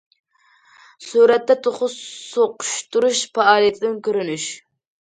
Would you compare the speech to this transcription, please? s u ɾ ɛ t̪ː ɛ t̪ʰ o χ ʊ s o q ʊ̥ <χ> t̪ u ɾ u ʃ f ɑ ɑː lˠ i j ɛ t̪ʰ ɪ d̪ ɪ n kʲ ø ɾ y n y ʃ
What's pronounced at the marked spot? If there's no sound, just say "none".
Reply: ʃ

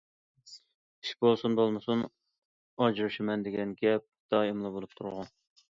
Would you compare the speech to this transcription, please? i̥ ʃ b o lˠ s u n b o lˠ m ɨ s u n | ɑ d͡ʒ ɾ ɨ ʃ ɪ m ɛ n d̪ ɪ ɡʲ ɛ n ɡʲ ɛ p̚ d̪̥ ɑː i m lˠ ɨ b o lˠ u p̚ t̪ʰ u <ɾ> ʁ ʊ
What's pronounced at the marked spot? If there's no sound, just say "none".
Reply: ɾ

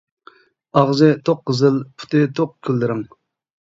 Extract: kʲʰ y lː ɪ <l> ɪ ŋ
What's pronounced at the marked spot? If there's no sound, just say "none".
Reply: ɾ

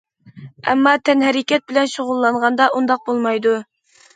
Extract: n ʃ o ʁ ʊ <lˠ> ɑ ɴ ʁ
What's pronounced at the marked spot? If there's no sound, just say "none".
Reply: lˠː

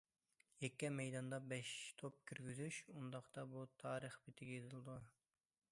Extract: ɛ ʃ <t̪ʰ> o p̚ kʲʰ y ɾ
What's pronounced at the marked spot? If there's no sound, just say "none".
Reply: t̪ʰ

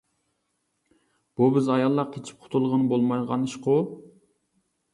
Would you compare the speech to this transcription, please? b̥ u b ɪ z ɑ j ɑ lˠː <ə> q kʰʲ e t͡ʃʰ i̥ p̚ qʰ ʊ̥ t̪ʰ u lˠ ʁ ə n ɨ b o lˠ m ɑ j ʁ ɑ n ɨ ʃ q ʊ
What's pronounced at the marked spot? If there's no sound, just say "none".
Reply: ɑ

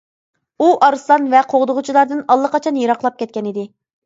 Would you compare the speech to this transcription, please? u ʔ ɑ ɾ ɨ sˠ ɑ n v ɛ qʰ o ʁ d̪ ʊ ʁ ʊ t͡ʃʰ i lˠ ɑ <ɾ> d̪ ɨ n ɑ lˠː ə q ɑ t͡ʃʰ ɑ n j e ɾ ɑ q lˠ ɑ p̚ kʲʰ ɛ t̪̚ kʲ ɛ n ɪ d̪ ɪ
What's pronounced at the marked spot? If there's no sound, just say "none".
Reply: ɾ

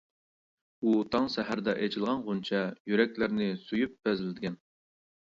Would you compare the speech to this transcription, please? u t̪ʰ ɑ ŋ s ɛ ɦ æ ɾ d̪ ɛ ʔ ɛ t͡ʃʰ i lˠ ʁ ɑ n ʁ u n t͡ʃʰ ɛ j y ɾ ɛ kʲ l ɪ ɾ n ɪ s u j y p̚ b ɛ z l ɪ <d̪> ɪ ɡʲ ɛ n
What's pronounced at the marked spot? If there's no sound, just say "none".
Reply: d̪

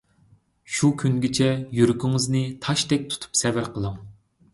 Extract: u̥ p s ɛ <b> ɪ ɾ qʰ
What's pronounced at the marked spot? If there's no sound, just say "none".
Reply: v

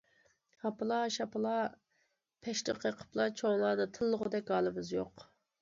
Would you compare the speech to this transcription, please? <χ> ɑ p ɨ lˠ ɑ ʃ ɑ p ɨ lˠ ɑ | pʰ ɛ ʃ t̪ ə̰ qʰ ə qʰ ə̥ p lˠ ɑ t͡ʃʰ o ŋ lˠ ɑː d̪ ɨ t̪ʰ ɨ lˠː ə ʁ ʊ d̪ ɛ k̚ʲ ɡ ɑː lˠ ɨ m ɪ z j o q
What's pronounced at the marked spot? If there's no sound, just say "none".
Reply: h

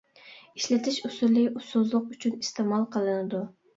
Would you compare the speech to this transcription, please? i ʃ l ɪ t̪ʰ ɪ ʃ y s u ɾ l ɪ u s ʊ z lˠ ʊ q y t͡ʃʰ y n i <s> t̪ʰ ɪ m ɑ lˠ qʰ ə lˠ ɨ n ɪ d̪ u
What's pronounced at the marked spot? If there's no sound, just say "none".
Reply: s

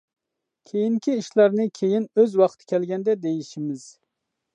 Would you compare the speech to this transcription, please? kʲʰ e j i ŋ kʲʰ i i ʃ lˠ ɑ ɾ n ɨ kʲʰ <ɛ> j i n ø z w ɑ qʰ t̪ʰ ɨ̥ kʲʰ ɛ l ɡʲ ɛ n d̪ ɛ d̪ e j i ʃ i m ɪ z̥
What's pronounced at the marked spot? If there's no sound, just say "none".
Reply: e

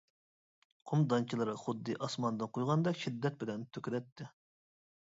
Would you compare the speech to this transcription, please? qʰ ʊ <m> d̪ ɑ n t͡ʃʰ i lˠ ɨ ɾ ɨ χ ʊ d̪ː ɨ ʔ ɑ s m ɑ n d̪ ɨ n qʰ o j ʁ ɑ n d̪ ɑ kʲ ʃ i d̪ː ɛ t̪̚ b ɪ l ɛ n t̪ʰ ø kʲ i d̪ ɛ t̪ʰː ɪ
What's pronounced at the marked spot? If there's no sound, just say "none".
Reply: m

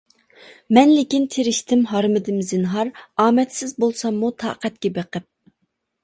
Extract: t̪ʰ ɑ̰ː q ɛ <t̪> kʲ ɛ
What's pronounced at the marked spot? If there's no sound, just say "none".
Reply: t̪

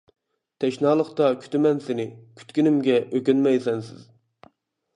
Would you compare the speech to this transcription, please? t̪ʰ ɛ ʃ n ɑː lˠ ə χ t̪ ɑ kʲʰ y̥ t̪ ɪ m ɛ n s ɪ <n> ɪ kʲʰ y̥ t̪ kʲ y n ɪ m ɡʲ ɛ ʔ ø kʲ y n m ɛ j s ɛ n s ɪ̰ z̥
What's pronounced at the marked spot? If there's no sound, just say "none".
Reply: n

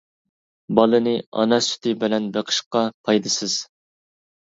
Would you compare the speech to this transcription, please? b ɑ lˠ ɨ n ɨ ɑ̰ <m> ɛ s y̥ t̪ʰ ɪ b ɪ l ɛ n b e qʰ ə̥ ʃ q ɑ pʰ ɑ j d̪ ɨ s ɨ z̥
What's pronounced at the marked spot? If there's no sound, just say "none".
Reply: n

